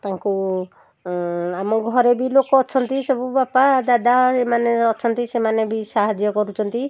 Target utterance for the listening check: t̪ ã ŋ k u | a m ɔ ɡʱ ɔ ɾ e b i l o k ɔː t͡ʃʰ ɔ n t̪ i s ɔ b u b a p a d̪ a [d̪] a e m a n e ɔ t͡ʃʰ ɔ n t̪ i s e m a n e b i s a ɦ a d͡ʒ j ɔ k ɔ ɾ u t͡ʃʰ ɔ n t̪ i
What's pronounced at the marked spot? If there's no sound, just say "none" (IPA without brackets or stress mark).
d̪